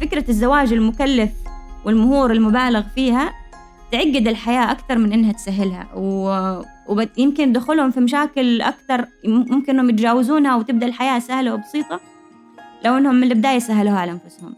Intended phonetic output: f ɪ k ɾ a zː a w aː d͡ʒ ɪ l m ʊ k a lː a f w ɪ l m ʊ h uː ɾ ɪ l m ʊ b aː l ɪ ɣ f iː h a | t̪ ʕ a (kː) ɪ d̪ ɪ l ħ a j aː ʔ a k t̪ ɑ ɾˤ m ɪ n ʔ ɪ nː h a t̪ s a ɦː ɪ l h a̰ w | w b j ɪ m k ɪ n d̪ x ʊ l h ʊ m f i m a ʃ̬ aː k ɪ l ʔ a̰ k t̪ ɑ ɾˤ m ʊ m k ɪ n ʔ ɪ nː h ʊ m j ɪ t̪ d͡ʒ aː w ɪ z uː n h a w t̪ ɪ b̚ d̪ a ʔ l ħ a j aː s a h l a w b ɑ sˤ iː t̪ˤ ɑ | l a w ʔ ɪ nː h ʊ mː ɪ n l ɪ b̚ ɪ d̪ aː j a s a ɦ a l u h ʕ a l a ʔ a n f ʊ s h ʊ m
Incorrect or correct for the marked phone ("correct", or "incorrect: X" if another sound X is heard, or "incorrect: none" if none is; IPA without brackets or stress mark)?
incorrect: ɡː